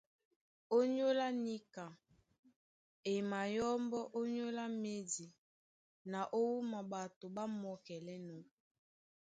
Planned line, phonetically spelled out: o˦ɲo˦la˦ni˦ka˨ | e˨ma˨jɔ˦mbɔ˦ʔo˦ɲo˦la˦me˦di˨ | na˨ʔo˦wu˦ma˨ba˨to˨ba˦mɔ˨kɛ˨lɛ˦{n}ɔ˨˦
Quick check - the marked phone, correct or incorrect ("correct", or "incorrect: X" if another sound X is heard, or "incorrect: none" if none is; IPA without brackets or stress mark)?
correct